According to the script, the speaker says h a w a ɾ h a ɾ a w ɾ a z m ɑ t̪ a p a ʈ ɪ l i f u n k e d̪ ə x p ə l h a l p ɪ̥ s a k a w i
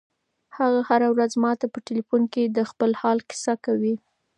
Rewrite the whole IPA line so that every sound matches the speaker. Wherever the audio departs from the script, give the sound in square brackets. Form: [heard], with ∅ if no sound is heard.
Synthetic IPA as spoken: h a [ɣ] a [∅] h a ɾ a w ɾ a z m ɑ t̪ a p [ə] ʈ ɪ l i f u n k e d̪ ə x p ə l h [ɑ] l [k] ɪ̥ s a k a w i